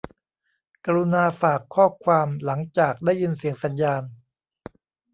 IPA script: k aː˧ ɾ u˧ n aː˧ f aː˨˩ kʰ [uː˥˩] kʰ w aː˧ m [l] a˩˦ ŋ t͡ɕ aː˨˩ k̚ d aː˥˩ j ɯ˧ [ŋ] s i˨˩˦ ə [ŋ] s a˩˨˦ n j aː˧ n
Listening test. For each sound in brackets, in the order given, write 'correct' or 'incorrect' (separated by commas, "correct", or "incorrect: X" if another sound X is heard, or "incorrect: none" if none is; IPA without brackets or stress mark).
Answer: incorrect: ɔː˥˩, correct, incorrect: n, correct